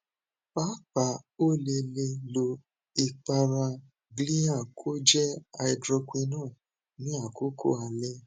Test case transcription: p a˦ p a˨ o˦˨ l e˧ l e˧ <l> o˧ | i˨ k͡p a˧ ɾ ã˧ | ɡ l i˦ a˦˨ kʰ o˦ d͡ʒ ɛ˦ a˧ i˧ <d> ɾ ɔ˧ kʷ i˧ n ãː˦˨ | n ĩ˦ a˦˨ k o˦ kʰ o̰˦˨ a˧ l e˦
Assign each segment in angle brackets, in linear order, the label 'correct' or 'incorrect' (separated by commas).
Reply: correct, correct